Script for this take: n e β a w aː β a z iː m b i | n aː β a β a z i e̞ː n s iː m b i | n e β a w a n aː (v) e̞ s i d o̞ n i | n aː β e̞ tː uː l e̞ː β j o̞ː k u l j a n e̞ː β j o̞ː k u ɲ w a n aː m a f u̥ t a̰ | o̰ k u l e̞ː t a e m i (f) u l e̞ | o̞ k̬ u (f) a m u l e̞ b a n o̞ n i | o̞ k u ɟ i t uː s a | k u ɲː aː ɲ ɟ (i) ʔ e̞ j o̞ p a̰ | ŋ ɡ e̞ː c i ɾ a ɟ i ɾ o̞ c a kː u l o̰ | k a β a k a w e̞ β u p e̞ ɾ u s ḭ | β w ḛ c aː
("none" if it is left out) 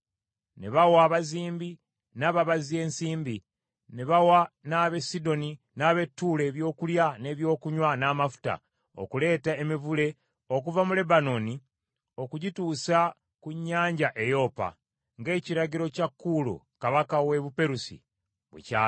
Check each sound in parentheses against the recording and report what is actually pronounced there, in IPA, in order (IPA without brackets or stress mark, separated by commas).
β, v, v, a